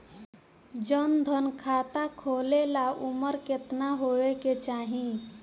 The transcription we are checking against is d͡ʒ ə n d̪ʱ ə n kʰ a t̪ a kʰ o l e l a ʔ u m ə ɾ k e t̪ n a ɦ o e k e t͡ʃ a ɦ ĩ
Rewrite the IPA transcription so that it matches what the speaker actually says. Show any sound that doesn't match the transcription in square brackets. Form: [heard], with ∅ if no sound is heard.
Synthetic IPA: d͡ʒ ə n d̪ʱ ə n kʰ a t̪ a kʰ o l e l a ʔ u m ə ɾ k e t̪ n a ɦ o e k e t͡ʃ a ɦ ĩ